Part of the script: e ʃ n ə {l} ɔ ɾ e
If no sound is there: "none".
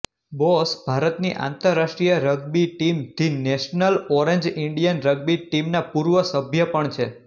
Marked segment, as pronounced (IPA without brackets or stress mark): l